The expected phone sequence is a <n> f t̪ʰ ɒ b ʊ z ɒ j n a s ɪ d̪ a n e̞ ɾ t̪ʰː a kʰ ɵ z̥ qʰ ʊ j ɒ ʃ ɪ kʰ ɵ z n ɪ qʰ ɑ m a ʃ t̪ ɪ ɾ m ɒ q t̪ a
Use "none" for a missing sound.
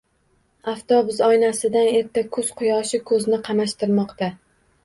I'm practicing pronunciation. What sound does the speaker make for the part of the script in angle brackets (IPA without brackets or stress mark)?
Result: none